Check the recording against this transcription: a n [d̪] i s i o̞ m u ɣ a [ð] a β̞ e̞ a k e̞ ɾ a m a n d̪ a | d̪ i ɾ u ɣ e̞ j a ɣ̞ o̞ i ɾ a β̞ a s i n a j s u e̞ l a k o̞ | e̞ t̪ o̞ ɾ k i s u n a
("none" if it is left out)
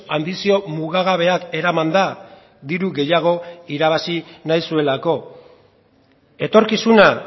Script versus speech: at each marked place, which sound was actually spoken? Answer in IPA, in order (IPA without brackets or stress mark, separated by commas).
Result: d̪, ɣ